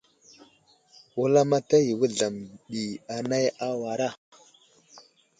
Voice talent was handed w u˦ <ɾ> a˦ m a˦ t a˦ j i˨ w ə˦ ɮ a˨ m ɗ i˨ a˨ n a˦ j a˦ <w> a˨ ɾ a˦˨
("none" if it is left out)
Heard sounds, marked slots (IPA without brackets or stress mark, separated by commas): l, w